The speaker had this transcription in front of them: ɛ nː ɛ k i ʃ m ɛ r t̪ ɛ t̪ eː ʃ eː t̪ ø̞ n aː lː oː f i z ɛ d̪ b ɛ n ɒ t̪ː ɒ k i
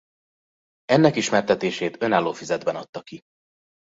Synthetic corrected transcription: ɛ nː ɛ k i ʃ m ɛ r t̪ ɛ t̪ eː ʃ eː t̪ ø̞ n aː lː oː f i z ɛ d̪ b ɛ n ɒ t̪ː ɒ k i